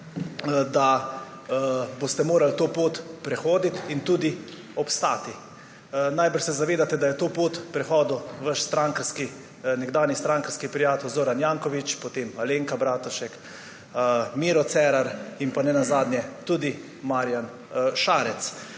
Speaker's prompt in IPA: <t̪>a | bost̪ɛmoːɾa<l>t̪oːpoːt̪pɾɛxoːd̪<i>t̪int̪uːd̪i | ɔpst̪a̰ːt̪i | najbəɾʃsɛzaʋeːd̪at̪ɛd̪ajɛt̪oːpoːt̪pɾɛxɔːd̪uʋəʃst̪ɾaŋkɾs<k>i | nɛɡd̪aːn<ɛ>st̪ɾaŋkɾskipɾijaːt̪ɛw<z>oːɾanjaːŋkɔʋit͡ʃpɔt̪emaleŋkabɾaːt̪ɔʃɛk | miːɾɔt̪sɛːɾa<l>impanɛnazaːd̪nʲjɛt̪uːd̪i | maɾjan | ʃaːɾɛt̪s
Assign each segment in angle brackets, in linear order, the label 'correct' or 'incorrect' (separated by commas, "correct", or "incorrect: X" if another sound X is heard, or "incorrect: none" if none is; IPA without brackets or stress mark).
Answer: incorrect: d̪, correct, correct, correct, incorrect: i, correct, incorrect: ɾ